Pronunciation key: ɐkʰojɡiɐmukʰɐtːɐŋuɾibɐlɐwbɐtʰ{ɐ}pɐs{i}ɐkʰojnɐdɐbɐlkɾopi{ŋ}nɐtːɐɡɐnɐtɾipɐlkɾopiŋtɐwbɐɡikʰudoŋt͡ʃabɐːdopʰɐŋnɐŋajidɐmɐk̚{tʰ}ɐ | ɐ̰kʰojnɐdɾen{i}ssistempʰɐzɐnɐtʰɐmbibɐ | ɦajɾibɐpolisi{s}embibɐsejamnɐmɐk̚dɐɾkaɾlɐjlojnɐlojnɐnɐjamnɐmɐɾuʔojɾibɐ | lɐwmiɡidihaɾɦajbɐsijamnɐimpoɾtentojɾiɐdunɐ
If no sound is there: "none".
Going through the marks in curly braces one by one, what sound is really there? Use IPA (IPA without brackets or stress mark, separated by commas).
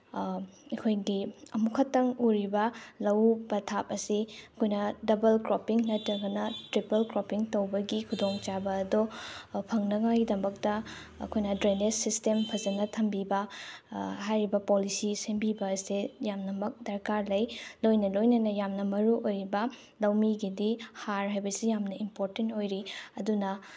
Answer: a, i, ŋ, t, e, s